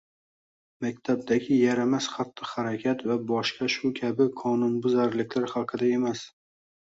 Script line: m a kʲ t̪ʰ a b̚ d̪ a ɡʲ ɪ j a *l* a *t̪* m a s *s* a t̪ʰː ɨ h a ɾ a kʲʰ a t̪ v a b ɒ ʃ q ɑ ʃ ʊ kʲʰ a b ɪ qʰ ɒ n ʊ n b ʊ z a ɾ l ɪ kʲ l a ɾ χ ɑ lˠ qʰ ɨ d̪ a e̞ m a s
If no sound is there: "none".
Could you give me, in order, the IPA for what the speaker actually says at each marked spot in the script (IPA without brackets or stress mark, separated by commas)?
ɾ, none, χ